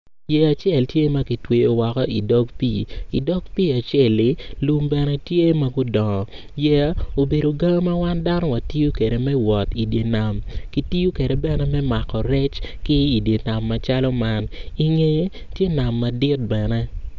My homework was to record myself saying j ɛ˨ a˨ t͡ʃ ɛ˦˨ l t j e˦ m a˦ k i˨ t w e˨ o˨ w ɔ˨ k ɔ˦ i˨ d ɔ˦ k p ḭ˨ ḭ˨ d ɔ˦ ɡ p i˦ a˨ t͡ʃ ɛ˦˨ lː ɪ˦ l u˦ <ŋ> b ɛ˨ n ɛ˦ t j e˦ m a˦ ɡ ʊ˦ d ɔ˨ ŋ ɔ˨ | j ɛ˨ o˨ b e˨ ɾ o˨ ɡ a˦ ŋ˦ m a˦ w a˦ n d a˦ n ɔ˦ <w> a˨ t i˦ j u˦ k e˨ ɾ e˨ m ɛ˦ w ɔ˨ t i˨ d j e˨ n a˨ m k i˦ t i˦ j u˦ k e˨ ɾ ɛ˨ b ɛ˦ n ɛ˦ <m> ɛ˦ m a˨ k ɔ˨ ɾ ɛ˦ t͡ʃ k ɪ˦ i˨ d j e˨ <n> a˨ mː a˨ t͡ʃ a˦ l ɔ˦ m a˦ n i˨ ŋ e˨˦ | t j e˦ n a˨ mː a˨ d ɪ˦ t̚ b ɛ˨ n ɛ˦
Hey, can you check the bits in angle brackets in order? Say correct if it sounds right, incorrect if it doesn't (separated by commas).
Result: incorrect, correct, correct, correct